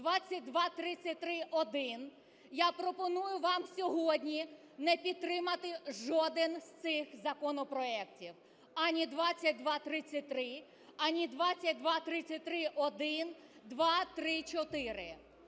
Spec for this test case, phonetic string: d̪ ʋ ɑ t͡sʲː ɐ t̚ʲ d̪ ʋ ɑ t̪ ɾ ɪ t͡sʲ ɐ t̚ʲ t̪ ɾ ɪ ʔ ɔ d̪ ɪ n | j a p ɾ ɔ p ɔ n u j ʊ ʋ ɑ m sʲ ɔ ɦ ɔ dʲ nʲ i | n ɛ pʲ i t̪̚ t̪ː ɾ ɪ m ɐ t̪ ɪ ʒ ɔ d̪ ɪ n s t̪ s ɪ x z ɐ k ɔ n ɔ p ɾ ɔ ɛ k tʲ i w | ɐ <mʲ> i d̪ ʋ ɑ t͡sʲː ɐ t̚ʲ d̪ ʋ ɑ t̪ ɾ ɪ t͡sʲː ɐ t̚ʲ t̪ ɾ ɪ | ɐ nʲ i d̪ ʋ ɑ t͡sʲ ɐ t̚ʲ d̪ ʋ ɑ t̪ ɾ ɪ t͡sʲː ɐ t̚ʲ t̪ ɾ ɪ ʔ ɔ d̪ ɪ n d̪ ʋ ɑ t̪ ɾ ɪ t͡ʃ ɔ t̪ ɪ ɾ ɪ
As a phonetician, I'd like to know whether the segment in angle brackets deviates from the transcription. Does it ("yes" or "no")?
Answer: yes